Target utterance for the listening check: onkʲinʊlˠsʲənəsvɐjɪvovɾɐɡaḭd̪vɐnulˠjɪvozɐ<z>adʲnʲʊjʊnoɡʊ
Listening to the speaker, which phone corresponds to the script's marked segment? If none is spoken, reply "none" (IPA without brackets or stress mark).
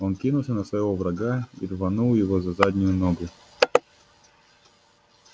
z